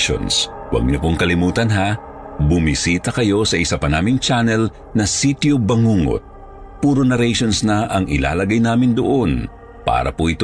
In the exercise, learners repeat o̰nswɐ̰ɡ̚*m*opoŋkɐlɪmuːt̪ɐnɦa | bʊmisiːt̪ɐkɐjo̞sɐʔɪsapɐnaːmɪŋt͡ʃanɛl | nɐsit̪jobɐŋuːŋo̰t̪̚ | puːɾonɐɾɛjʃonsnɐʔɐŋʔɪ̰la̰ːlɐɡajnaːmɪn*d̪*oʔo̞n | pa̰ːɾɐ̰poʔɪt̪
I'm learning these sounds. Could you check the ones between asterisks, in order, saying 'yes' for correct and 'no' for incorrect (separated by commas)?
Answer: no, yes